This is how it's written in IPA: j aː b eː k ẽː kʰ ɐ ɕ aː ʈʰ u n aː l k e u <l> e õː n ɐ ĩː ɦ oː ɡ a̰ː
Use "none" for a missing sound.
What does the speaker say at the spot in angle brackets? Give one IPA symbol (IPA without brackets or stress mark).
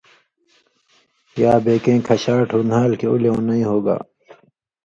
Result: l